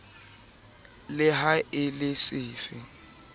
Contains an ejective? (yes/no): no